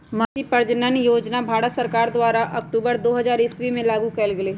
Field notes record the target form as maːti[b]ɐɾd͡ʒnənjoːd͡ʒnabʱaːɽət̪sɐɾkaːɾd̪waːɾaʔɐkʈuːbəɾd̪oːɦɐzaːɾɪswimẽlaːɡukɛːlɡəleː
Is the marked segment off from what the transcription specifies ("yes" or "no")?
yes